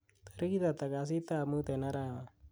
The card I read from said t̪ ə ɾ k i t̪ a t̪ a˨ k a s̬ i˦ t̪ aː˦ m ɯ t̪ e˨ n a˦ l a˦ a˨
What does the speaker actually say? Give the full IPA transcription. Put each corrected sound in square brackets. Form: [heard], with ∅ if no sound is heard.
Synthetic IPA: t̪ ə ɾ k i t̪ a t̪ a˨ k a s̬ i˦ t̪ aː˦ m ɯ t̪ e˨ n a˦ [ɾ] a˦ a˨

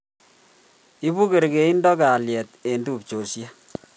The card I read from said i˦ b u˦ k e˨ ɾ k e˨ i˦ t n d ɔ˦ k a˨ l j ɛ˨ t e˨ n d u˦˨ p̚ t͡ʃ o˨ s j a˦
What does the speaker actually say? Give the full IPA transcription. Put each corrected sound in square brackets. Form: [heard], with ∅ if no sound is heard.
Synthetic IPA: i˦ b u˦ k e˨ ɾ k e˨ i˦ [∅] n d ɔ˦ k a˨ l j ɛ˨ t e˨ n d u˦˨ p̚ t͡ʃ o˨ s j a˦

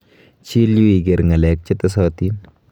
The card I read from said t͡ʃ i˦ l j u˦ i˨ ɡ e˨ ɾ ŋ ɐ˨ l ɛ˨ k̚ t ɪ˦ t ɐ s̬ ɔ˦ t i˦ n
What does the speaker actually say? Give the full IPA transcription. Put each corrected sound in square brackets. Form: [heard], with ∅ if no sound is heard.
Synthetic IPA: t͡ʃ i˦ l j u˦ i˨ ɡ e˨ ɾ ŋ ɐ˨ l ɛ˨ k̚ [t͡ʃ] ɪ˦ t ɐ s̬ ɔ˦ t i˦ n

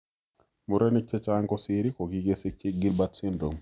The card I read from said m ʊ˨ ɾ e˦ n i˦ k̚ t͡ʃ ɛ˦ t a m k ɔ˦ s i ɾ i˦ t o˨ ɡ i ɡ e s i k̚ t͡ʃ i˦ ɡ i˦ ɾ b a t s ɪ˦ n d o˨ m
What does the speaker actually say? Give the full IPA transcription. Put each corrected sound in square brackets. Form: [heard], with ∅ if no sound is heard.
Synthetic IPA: m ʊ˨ ɾ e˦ n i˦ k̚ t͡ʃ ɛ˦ [t͡ʃ] a [ŋ] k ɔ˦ s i ɾ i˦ [k] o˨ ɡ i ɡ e s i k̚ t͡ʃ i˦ ɡ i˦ [l] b a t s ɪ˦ n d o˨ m

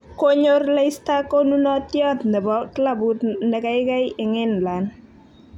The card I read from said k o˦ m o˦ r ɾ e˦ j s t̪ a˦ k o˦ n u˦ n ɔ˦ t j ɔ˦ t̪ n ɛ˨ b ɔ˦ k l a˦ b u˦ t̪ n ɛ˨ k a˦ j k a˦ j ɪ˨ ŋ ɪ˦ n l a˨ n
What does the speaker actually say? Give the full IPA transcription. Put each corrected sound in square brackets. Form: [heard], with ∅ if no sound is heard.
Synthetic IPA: k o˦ [ɲ] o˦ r [l] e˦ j s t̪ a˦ k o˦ n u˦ n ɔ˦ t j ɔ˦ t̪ n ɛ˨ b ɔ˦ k l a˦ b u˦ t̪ n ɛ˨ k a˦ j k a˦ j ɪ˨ ŋ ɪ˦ n l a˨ n

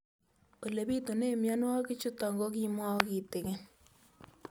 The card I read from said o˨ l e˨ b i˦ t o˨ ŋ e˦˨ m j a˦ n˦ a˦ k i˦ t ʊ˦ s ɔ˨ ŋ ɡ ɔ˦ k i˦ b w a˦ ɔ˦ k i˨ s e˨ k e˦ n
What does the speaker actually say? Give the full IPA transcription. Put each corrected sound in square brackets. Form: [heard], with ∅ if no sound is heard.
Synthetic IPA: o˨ l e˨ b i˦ t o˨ [n] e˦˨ m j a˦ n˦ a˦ k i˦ [t͡ʃ] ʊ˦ [t] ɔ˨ ŋ ɡ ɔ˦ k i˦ [m] w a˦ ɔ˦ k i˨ [t] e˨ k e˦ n

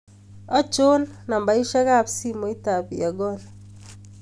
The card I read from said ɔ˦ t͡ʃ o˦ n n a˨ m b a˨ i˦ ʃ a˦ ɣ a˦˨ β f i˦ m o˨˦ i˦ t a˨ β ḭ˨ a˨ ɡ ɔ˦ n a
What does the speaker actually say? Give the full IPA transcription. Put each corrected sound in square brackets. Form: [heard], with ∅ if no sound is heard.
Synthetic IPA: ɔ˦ t͡ʃ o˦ n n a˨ m b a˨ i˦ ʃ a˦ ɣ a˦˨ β [s] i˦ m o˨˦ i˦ t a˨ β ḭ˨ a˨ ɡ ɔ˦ n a

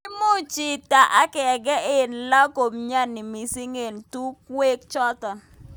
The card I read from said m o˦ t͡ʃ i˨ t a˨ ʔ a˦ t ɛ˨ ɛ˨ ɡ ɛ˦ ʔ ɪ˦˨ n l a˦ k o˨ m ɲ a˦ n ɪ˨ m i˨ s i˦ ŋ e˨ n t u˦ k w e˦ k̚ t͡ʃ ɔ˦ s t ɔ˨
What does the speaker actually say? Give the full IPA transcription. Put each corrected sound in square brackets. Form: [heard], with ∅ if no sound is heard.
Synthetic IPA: m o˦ t͡ʃ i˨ t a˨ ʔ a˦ [k] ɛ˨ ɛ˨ ɡ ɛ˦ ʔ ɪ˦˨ n l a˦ k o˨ m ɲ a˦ n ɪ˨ m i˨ s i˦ ŋ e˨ n t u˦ k w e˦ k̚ t͡ʃ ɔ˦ [∅] t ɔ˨

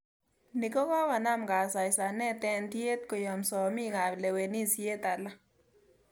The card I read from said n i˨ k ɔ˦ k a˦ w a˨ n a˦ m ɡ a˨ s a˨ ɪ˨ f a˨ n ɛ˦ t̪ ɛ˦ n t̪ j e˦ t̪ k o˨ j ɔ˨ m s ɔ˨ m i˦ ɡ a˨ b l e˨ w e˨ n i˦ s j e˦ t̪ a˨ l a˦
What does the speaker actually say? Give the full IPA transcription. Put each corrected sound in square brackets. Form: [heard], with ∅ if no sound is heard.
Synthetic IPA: n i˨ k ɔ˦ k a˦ w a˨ n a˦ m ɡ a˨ s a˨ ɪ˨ [s] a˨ n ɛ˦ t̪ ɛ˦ n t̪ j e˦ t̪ k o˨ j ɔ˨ m s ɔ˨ m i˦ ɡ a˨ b l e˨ w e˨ n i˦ s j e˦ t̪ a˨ l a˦

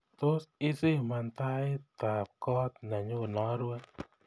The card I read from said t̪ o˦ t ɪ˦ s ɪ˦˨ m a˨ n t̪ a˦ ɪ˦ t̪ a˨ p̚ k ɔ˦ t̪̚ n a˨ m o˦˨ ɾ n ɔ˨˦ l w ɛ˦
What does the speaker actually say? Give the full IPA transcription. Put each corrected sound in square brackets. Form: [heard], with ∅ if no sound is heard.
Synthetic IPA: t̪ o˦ [s] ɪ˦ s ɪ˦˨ m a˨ n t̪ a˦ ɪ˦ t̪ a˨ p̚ k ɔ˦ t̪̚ n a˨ [ɲ] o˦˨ [∅] n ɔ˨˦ [ɾ] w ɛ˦

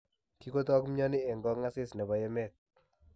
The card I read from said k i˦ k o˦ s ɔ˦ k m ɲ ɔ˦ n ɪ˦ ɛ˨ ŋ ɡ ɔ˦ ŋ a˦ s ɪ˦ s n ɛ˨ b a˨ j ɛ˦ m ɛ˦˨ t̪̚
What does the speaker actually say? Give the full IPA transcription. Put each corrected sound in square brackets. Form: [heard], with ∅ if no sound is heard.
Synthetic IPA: k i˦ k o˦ [t] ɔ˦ k m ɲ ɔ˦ n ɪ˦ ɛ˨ ŋ ɡ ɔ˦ ŋ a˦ s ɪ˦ s n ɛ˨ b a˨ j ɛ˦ m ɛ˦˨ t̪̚

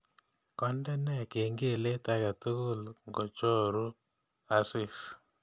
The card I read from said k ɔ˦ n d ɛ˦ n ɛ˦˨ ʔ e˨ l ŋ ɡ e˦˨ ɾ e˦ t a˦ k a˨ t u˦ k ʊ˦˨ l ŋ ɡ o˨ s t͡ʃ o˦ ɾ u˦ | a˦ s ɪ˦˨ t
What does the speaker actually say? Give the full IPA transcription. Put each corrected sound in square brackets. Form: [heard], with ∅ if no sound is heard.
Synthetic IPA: k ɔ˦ n d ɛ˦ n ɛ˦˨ [k] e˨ [∅] ŋ ɡ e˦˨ [l] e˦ t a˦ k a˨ t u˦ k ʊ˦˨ l ŋ ɡ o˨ [∅] t͡ʃ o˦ ɾ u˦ | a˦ s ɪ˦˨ [s]

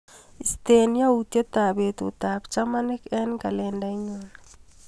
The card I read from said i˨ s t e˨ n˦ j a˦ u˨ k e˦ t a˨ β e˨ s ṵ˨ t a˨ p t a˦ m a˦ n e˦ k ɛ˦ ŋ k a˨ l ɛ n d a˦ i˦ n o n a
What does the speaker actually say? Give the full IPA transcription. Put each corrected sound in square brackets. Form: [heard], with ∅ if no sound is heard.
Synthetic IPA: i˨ s t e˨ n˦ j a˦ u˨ [t] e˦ t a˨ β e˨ [t] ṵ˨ t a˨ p [t͡ʃ] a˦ m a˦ n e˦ k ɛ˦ [n] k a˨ l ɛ n d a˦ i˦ [ɲ] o n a

